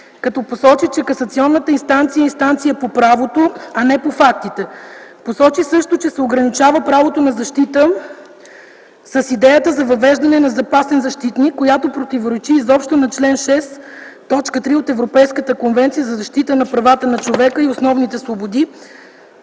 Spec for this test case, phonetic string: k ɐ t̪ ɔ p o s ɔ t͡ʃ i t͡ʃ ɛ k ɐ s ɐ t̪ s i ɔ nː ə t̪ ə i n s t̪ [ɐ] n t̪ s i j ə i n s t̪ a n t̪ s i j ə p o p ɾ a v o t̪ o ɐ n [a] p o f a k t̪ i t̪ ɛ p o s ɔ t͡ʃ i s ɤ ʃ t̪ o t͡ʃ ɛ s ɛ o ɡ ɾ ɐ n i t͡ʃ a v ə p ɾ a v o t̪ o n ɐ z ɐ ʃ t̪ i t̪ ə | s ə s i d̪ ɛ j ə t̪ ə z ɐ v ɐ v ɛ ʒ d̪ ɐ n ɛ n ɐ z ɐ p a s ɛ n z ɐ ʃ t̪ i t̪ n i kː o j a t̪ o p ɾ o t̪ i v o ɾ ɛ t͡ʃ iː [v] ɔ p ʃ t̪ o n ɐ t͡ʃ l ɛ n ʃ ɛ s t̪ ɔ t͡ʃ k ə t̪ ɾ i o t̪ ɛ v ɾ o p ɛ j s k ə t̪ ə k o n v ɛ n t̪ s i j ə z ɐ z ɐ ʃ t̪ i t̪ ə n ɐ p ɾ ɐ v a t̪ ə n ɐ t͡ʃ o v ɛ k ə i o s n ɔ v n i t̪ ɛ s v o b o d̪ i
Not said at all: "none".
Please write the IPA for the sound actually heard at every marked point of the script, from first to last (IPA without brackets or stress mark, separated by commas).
a, ɛ, z